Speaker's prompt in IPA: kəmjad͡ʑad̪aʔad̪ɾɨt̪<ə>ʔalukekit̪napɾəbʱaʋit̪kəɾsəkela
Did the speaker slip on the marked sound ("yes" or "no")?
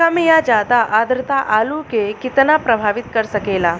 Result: yes